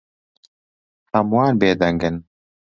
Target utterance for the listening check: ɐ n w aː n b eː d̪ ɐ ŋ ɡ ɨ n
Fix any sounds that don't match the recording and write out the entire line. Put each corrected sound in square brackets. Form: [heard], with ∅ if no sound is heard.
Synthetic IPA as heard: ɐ [m] w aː n b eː d̪ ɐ ŋ ɡ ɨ n